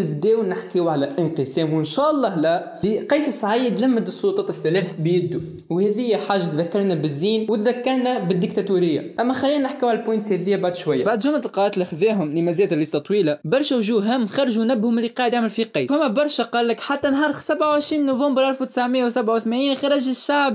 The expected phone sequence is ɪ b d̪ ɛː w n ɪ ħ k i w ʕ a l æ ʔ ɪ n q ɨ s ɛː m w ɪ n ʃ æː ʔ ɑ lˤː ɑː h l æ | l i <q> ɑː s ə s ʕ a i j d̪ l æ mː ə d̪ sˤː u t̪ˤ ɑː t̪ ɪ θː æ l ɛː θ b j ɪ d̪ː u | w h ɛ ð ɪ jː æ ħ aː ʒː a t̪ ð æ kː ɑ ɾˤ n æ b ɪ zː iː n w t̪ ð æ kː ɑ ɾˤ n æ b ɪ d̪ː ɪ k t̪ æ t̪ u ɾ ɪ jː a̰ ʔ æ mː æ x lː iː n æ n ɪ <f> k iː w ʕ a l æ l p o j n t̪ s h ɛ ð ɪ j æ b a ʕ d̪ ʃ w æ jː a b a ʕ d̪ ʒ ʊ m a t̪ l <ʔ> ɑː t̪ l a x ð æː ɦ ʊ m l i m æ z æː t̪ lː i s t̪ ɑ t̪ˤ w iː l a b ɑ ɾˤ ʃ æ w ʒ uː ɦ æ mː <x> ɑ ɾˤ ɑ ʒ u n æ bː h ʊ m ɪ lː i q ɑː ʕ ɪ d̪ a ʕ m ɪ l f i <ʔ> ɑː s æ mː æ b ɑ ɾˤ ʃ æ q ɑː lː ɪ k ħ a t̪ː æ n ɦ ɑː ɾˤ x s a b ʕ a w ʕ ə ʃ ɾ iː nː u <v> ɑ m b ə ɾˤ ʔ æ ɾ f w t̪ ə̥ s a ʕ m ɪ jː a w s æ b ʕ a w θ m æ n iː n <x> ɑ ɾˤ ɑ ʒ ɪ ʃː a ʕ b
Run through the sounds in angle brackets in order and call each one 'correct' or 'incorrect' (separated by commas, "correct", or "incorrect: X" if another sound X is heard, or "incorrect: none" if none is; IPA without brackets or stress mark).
correct, incorrect: ħ, incorrect: q, correct, incorrect: q, correct, correct